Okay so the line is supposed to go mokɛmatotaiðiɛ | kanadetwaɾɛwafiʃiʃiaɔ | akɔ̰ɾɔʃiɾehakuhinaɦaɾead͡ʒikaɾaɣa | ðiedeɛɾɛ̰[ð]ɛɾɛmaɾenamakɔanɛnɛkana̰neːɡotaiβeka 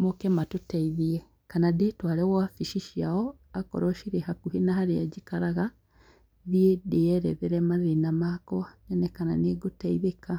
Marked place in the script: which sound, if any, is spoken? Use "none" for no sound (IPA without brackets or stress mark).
ð